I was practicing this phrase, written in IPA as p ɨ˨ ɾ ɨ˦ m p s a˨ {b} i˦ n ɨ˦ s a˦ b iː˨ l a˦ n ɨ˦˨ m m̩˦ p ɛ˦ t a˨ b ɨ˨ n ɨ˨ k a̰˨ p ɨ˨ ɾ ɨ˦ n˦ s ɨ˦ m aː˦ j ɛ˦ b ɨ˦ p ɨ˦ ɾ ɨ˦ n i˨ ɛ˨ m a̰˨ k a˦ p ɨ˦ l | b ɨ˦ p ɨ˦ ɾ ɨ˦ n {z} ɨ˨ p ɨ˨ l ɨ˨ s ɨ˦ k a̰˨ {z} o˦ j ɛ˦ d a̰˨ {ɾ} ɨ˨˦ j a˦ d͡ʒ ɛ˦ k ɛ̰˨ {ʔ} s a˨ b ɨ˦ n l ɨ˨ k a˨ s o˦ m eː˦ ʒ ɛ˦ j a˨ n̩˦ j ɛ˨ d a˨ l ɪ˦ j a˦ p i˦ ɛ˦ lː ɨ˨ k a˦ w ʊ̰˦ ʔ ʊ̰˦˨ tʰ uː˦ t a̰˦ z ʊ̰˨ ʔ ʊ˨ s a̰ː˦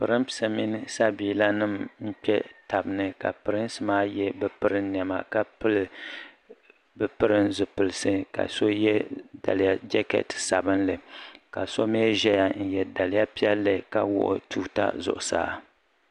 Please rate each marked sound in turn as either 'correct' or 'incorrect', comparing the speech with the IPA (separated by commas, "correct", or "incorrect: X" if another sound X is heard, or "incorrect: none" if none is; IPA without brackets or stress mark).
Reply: incorrect: m, correct, incorrect: s, incorrect: l, incorrect: t